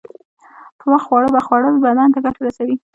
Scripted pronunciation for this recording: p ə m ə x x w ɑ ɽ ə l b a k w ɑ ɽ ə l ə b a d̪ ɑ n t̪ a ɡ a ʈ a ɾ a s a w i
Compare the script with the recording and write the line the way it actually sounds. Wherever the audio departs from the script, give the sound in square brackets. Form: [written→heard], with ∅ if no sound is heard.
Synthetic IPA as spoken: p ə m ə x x w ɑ ɽ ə [l→∅] b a [k→x] w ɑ ɽ ə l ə b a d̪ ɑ n t̪ a ɡ a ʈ a ɾ a s a w i